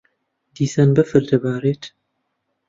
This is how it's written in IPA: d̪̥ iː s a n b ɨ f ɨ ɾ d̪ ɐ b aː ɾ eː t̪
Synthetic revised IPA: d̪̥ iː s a n b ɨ f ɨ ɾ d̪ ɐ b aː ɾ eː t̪

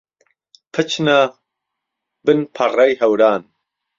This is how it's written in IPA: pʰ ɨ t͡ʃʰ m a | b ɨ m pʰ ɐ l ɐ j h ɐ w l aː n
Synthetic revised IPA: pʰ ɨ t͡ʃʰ n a | b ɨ n pʰ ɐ r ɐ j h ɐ w ɾ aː n

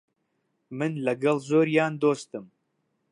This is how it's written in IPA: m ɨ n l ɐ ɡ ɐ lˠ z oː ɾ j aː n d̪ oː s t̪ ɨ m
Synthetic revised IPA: m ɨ n l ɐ ɡ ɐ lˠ z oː ɾ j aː n d̪ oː s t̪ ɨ m

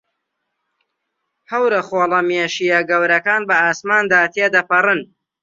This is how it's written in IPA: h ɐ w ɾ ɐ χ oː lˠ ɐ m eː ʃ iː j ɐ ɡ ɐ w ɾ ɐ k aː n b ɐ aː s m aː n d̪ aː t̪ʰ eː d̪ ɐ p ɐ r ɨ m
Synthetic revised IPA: h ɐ w ɾ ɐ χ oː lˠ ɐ m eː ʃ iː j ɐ ɡ ɐ w ɾ ɐ k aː n b ɐ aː s m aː n d̪ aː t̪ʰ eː d̪ ɐ p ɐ r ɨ n

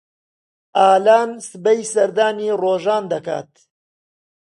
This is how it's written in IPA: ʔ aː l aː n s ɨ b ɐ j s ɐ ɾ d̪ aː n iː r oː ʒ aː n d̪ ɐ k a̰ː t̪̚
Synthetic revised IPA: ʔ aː l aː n s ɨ b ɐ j s ɐ ɾ d̪ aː n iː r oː ʒ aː n d̪ ɐ k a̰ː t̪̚

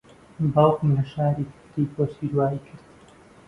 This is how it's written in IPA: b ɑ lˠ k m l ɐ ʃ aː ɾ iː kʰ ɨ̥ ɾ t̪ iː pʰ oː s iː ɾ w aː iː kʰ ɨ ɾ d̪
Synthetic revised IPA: b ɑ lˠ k m l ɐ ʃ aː ɾ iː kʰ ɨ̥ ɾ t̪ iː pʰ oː s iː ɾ w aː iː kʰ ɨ ɾ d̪

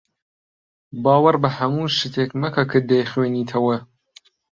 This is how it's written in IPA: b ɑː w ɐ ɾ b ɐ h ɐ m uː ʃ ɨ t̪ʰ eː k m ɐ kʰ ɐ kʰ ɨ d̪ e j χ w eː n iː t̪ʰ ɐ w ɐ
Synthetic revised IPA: b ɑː w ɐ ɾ b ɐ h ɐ m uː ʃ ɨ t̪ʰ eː k m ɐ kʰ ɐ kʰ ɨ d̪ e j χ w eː n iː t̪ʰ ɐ w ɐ

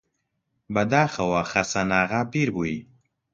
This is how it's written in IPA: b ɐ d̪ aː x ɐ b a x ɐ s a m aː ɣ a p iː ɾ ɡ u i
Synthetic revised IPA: b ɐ d̪ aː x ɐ w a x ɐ s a n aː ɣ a p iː ɾ b u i

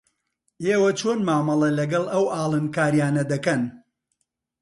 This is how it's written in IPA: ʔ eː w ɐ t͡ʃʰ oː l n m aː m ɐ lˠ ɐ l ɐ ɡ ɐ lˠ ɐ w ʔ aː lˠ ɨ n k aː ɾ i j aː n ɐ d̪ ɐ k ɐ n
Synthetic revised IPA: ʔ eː w ɐ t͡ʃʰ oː n m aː m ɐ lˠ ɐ l ɐ ɡ ɐ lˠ ɐ w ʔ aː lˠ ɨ n k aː ɾ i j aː n ɐ d̪ ɐ k ɐ n

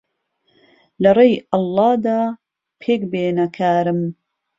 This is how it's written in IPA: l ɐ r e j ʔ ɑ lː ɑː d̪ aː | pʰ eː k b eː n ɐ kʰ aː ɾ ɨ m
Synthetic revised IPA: l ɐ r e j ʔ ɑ lː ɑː d̪ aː | pʰ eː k b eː n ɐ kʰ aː ɾ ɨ m

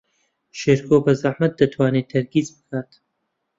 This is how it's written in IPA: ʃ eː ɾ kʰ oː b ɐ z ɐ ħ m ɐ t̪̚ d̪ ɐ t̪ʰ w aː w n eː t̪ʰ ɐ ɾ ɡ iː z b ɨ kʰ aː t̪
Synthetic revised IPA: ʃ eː ɾ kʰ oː b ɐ z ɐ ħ m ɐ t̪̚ d̪ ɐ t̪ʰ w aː n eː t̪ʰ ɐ ɾ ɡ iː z b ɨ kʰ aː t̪

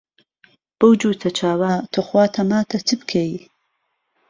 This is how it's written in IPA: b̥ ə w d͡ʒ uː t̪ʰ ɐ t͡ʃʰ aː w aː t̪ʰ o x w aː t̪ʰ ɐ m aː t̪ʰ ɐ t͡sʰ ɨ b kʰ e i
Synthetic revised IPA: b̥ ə w d͡ʒ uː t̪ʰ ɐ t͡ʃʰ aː w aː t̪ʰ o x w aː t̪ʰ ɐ m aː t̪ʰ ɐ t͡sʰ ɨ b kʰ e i

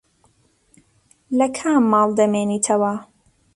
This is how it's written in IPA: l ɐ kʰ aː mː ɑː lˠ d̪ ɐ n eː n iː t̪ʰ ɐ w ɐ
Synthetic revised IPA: l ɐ kʰ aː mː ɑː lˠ d̪ ɐ m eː n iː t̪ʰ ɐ w ɐ

